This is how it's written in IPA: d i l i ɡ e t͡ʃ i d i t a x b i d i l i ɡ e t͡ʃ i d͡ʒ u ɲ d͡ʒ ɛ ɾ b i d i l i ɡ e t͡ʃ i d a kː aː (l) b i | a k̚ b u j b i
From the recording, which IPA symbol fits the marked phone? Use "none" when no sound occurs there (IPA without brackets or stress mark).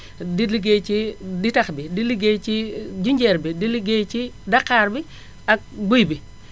ɾ